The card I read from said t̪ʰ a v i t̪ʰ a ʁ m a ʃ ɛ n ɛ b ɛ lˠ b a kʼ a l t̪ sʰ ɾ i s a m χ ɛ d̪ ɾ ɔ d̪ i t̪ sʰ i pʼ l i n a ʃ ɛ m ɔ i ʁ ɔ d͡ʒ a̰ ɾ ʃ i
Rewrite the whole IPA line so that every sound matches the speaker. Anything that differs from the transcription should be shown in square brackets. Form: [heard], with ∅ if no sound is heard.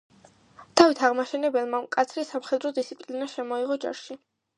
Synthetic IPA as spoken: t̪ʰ a v i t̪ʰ a ʁ m a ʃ ɛ n ɛ b ɛ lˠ [m] a kʼ a [∅] t̪ sʰ ɾ i s a m χ ɛ d̪ ɾ ɔ d̪ i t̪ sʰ i pʼ l i n a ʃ ɛ m ɔ i ʁ ɔ d͡ʒ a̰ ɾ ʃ i

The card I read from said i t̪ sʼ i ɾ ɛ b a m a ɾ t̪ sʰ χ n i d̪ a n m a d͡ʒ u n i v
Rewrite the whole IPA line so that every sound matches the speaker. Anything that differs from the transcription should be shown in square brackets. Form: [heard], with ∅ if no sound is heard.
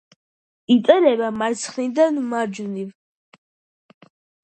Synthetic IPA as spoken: i t̪ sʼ [ɛ] ɾ ɛ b a m a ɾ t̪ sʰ χ n i d̪ a n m a d͡ʒ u n i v

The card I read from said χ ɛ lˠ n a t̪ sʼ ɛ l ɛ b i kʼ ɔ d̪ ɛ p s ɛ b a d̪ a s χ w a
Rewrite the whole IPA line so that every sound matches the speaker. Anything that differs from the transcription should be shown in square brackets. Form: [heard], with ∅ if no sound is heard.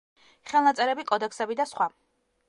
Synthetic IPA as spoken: χ ɛ lˠ n a t̪ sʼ ɛ [ɾ] ɛ b i kʼ ɔ d̪ ɛ [k] s ɛ b [i] d̪ a s χ w a

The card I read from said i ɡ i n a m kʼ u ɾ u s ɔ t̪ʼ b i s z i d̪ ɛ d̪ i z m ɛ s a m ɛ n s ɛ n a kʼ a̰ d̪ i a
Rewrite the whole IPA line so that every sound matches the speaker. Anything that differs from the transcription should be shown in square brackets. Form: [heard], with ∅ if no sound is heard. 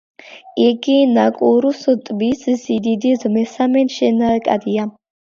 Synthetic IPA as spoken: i ɡ i n a [∅] kʼ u ɾ u s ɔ t̪ʼ b i s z i d̪ [i] d̪ i z m ɛ s a m ɛ n [ʃ] ɛ n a kʼ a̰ d̪ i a

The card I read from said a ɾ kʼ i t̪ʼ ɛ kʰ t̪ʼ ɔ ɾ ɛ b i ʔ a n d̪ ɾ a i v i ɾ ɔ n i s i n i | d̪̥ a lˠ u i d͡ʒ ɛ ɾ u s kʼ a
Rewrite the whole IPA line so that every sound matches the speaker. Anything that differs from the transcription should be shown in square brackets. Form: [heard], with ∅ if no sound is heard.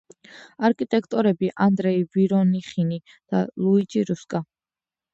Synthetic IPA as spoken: a ɾ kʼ i t̪ʼ ɛ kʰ t̪ʼ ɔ ɾ ɛ b i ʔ a n d̪ ɾ [ɛ] i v i ɾ ɔ n i [χ] i n i | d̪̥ a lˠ u i d͡ʒ [i] ɾ u s kʼ a

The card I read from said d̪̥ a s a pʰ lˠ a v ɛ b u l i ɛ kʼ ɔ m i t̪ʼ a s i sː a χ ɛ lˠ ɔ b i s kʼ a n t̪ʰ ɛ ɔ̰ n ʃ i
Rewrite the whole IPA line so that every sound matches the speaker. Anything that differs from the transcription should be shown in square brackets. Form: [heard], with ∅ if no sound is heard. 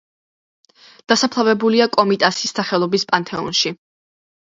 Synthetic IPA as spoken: d̪̥ a s a pʰ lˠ a v ɛ b u l i [a] kʼ ɔ m i t̪ʼ a s i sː a χ ɛ lˠ ɔ b i s [pʼ] a n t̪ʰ ɛ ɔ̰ n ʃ i

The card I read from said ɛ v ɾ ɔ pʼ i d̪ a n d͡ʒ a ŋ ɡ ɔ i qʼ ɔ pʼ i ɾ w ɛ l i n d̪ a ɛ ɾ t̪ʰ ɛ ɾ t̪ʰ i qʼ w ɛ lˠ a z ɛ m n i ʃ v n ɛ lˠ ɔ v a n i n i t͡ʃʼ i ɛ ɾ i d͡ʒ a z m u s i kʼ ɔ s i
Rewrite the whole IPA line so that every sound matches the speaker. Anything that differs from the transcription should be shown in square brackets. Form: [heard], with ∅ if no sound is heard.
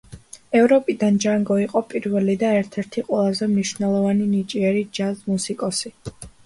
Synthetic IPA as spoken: ɛ v ɾ ɔ pʼ i d̪ a n d͡ʒ a ŋ ɡ ɔ i qʼ ɔ pʼ i ɾ [v] ɛ l i [∅] d̪ a ɛ ɾ t̪ʰ ɛ ɾ t̪ʰ i qʼ w ɛ lˠ a z ɛ m n i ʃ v n ɛ lˠ ɔ v a n i n i t͡ʃʼ i ɛ ɾ i d͡ʒ a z m u s i kʼ ɔ s i

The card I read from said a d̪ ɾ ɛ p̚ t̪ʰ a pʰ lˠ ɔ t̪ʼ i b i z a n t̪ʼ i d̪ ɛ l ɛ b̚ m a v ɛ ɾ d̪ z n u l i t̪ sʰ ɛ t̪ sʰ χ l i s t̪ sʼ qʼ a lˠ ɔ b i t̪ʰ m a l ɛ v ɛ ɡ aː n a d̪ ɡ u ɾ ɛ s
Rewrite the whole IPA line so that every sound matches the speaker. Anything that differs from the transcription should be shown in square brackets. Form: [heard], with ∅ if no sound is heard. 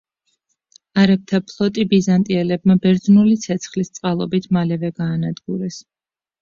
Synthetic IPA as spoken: a [∅] ɾ ɛ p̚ t̪ʰ a pʰ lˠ ɔ t̪ʼ i b i z a n t̪ʼ i [∅] ɛ l ɛ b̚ m a [b] ɛ ɾ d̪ z n u l i t̪ sʰ ɛ t̪ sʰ χ l i s t̪ sʼ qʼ a lˠ ɔ b i t̪ʰ m a l ɛ v ɛ ɡ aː n a d̪ ɡ u ɾ ɛ s

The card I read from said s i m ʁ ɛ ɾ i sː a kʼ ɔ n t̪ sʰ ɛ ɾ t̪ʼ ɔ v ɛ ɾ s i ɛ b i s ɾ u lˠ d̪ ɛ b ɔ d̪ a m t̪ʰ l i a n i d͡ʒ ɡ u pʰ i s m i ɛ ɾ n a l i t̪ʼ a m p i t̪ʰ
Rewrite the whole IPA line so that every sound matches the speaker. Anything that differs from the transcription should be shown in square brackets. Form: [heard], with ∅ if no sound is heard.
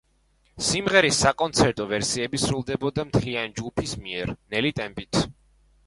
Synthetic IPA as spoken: s i m ʁ ɛ ɾ i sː a kʼ ɔ n t̪ sʰ ɛ ɾ t̪ʼ ɔ v ɛ ɾ s i ɛ b i s ɾ u lˠ d̪ ɛ b ɔ d̪ a m t̪ʰ l i a n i d͡ʒ ɡ u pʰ i s m i ɛ ɾ n [ɛ] l i t̪ʼ [ɛ] m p i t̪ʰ

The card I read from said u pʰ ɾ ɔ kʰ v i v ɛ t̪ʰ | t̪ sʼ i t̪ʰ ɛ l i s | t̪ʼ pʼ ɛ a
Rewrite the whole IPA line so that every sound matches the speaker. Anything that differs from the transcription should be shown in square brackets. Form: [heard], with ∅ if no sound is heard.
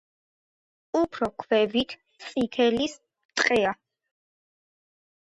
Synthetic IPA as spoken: u pʰ ɾ ɔ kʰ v [ɛ] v [i] t̪ʰ | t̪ sʼ i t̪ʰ ɛ l i s | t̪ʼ [qʼ] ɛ a

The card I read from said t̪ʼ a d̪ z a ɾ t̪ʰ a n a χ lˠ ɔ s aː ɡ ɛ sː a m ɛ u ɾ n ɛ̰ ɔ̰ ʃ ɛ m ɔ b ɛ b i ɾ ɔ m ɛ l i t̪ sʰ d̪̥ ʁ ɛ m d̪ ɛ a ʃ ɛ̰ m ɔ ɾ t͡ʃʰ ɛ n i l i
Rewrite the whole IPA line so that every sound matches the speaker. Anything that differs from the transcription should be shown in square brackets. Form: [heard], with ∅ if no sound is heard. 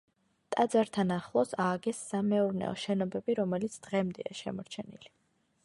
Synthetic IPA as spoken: t̪ʼ a d̪ z a ɾ t̪ʰ a n a χ lˠ ɔ s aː ɡ ɛ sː a m ɛ u ɾ n ɛ̰ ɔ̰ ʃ ɛ [n] ɔ b ɛ b i ɾ ɔ m ɛ l i t̪ sʰ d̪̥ ʁ ɛ m d̪ ɛ a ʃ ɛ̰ m ɔ ɾ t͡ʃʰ ɛ n i l i

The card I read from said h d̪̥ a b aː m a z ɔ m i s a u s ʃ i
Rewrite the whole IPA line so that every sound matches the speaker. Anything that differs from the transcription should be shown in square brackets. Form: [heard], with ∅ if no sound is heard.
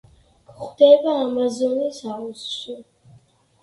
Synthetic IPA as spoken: [χ] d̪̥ [ɛ] b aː m a z ɔ [n] i s a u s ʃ i

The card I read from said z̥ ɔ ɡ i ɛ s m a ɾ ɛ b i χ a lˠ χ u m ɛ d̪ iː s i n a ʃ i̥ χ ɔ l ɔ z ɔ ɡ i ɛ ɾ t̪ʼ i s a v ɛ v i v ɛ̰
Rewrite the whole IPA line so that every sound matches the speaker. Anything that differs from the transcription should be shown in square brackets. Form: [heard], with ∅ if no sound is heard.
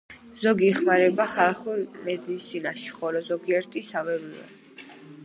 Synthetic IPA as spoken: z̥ ɔ ɡ i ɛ [χ] m a ɾ ɛ b [a] χ a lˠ χ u m ɛ d̪ iː s i n a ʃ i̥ χ ɔ l ɔ z ɔ ɡ i ɛ ɾ t̪ʼ i s a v ɛ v i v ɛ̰

